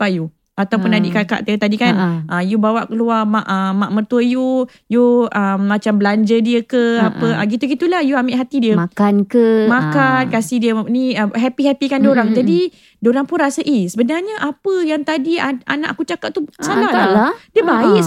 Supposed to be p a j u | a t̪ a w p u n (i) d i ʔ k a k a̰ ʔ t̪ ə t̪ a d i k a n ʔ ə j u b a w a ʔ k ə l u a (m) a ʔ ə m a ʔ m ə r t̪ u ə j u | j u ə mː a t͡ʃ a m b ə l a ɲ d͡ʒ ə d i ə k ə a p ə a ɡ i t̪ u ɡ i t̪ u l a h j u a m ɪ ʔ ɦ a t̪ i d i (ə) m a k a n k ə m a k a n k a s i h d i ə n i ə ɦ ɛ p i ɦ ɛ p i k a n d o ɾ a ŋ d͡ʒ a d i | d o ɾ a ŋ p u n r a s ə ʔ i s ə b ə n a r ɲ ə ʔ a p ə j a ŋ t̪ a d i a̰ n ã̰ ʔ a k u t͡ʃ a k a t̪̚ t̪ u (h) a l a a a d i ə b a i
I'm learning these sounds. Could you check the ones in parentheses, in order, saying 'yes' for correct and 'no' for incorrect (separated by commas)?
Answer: no, yes, yes, no